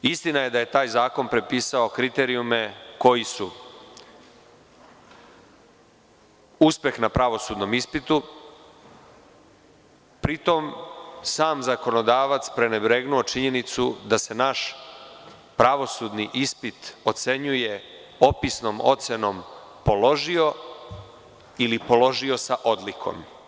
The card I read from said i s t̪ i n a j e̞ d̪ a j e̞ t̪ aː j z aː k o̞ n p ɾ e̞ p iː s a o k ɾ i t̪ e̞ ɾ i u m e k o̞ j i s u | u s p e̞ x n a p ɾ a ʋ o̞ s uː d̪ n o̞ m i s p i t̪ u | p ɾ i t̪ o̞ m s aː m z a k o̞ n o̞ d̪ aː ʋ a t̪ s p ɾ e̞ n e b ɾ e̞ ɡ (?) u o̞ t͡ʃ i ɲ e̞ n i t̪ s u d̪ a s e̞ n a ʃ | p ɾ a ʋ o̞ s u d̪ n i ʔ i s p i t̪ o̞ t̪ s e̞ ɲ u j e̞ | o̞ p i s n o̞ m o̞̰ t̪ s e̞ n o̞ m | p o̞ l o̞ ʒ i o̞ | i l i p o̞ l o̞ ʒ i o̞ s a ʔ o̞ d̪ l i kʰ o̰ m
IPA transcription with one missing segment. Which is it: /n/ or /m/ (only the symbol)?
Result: n